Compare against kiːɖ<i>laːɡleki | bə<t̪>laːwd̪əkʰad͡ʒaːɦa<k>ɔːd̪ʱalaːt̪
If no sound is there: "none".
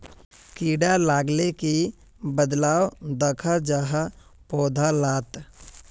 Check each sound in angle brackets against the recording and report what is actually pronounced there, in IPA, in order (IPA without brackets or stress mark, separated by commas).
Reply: a, d̪, p